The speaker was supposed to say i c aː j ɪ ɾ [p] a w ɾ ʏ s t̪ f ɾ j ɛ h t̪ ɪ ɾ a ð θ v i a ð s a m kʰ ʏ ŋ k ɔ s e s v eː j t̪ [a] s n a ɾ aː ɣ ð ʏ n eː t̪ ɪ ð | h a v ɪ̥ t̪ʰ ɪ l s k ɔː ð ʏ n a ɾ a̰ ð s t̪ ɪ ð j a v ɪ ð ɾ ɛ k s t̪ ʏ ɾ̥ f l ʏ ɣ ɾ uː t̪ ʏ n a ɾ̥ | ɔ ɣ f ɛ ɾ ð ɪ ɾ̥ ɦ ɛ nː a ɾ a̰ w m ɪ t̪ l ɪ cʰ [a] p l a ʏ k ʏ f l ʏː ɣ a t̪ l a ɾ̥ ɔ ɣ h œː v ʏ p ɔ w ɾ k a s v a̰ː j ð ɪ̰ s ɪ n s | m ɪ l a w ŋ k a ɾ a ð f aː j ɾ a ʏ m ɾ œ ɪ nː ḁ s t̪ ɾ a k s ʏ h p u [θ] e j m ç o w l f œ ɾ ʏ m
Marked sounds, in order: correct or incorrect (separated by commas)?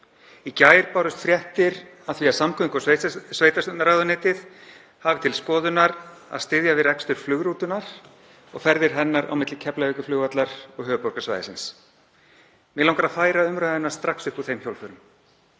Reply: correct, correct, incorrect, correct